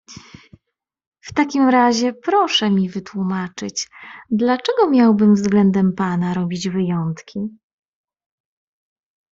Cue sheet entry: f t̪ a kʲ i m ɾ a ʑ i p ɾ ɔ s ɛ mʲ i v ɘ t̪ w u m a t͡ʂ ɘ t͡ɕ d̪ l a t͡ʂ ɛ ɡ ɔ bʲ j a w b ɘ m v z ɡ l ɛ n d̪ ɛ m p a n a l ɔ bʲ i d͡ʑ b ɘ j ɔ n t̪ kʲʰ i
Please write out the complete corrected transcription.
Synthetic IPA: f t̪ a kʲ i m ɾ a ʑ ɛ p ɾ ɔ ʂ ɛ mʲ i v ɘ t̪ w u m a t͡ʂ ɘ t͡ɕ d̪ l a t͡ʂ ɛ ɡ ɔ mʲ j a w b ɘ m v z ɡ l ɛ n d̪ ɛ m p a n a ɾ ɔ bʲ i d͡ʑ v ɘ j ɔ n t̪ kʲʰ i